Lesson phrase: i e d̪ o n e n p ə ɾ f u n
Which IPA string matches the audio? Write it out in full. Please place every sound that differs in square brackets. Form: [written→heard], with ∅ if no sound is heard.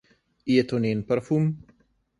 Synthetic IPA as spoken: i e [d̪→t̪] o n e n p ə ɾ f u [n→m]